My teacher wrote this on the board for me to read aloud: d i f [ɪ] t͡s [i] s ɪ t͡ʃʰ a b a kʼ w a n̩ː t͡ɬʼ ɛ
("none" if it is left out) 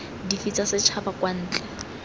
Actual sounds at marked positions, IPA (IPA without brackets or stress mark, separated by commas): i, a